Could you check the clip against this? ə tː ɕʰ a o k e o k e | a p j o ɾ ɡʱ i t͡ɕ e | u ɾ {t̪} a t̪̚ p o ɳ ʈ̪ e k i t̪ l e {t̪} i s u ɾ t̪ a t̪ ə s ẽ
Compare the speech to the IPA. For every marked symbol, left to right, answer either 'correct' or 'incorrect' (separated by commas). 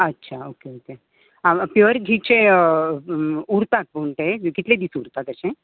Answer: correct, incorrect